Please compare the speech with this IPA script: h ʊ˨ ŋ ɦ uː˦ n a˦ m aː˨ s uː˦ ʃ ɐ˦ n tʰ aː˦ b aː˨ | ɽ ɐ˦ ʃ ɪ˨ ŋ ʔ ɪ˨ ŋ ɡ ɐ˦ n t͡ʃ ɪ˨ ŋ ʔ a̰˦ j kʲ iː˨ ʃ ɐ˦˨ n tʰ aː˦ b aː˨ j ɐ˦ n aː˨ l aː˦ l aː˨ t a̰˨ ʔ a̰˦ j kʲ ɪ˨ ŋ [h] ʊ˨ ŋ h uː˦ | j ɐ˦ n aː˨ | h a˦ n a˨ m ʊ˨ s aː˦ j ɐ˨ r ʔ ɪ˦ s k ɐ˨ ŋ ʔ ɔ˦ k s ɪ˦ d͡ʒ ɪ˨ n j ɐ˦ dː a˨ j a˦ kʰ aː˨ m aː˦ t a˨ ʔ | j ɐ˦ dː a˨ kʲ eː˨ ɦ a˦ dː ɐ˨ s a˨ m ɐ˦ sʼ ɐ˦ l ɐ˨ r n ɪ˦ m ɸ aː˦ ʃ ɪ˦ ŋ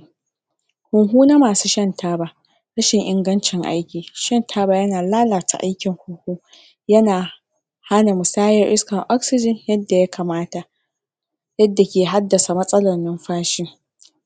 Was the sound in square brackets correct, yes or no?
yes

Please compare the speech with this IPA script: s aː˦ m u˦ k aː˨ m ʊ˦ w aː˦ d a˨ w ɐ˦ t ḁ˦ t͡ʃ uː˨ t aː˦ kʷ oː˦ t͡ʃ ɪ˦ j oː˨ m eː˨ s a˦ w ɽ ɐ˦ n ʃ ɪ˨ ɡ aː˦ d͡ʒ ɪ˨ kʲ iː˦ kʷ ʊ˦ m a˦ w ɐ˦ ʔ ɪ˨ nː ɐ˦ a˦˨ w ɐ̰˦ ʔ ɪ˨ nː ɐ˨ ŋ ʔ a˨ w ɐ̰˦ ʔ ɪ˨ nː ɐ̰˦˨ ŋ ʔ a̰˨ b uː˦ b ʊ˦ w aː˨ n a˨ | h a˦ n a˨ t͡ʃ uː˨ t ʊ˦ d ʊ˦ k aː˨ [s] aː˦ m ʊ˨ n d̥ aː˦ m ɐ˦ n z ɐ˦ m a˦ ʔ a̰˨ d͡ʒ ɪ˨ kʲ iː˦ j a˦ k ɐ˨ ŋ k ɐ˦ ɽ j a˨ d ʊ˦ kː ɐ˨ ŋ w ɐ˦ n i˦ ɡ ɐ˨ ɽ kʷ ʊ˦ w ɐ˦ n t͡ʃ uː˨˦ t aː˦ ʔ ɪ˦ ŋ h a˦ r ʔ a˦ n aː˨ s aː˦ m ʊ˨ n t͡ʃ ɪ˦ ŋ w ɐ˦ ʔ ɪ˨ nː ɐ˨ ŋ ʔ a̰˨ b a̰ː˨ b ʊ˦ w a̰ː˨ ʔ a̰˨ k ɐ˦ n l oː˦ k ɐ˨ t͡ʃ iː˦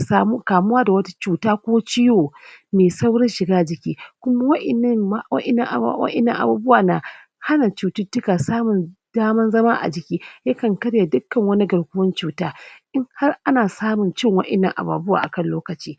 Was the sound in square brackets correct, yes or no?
yes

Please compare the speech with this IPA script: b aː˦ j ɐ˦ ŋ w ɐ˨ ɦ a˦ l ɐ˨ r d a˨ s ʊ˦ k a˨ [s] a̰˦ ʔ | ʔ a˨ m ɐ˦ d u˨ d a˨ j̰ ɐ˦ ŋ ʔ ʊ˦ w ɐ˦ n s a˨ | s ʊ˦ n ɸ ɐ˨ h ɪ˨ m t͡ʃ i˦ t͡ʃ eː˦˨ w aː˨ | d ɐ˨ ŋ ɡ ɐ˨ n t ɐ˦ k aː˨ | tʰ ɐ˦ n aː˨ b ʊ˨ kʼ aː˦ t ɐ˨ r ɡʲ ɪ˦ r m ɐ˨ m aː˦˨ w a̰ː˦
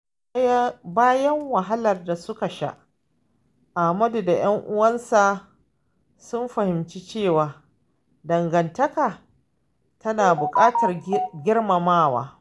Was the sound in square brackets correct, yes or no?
no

